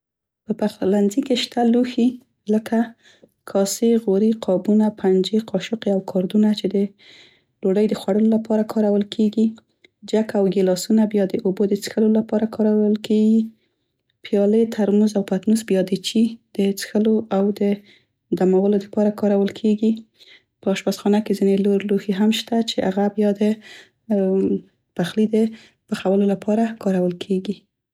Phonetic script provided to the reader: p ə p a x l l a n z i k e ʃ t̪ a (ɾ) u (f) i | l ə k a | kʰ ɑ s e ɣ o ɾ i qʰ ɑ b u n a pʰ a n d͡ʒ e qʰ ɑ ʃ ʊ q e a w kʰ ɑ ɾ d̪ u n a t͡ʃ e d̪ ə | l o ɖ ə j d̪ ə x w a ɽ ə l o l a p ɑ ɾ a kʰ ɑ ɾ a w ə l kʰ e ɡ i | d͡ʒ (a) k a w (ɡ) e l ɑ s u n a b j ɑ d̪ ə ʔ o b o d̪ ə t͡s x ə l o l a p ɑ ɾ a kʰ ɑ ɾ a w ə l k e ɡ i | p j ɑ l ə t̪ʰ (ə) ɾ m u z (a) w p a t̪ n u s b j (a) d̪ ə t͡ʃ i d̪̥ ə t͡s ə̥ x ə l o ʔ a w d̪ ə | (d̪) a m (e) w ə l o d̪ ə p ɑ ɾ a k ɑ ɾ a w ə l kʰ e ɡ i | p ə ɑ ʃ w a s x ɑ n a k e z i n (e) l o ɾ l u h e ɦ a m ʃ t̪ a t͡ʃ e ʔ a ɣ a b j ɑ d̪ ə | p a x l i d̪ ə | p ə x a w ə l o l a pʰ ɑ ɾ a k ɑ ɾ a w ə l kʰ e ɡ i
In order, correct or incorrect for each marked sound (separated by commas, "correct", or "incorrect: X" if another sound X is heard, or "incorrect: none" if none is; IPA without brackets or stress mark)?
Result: incorrect: l, incorrect: x, correct, correct, incorrect: a, correct, incorrect: ɑ, correct, incorrect: a, correct